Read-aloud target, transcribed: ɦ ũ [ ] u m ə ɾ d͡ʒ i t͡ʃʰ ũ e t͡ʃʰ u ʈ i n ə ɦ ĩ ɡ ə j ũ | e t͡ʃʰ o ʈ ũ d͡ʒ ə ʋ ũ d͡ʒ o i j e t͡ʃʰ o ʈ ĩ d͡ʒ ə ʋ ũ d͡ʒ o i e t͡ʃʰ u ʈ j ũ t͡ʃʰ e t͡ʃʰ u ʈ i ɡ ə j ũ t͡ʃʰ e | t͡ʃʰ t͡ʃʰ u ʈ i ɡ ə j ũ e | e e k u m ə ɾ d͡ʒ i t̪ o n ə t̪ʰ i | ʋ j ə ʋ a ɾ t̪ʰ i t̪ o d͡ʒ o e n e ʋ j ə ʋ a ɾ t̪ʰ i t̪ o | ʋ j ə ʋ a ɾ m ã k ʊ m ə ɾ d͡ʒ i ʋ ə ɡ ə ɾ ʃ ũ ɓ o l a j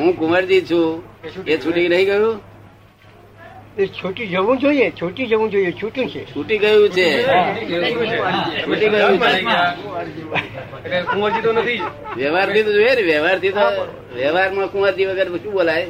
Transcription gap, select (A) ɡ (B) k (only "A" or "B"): B